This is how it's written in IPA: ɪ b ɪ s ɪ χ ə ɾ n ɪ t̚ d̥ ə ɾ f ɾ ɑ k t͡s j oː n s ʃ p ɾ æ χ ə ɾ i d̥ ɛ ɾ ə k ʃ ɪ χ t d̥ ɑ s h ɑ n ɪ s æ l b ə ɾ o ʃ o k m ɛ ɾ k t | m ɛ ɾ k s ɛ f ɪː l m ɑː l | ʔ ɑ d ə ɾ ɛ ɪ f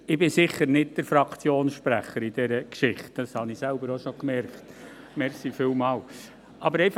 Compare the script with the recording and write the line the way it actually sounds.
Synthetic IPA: ɪ b ɪ s ɪ χ ə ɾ n ɪ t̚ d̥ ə ɾ f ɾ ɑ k t͡s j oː n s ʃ p ɾ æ χ ə ɾ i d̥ ɛ ɾ ə k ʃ ɪ χ t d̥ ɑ s h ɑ n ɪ s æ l b ə ɾ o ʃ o k m ɛ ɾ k t | m ɛ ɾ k s i f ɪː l m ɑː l | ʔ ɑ b ə ɾ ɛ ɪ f